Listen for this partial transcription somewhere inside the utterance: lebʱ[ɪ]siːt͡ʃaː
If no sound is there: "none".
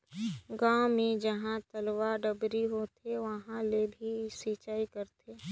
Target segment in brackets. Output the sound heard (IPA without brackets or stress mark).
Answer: i